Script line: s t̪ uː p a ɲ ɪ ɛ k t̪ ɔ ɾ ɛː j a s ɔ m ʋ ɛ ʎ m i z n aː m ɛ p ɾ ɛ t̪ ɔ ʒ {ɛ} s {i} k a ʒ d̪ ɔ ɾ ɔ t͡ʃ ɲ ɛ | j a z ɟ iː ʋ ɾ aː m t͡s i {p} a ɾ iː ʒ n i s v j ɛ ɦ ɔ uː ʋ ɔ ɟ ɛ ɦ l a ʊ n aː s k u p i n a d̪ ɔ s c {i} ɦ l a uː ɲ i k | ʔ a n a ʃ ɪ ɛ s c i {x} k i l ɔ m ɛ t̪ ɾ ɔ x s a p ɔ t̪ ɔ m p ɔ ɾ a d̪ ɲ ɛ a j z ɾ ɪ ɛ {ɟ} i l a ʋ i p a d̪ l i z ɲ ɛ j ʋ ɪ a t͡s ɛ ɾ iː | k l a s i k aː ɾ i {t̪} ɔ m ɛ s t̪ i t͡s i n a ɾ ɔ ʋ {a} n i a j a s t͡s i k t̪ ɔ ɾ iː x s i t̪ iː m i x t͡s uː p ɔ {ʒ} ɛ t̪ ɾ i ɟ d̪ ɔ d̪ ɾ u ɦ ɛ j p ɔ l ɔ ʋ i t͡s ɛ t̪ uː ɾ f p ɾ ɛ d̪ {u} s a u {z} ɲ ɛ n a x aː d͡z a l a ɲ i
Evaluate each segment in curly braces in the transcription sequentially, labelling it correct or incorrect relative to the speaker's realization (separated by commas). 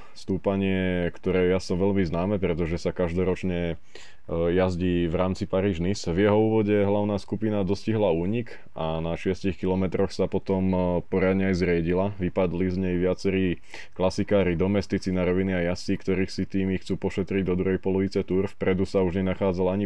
correct, incorrect, correct, correct, correct, correct, incorrect, incorrect, incorrect, correct, incorrect